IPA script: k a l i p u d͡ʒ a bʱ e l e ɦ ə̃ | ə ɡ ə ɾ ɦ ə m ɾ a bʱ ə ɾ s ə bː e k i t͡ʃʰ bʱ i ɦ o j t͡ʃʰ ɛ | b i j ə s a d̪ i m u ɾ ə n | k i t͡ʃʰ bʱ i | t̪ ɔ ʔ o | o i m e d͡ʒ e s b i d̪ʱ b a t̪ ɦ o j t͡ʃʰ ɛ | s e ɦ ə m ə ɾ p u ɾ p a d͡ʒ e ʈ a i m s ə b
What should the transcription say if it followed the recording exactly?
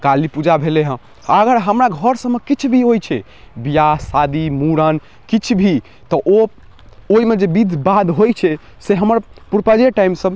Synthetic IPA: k a l i p u d͡ʒ a bʱ e l e ɦ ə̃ | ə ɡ ə ɾ ɦ ə m ɾ a ɡʱ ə ɾ s ə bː e k i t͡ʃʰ bʱ i ɦ o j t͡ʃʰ ɛ | b i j a s a d̪ i m u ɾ ə n | k i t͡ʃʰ bʱ i | t̪ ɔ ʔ o | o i m e d͡ʒ e b i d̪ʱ b a d̪ ɦ o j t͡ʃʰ ɛ | s e ɦ ə m ə ɾ p u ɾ p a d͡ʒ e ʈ a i m s ə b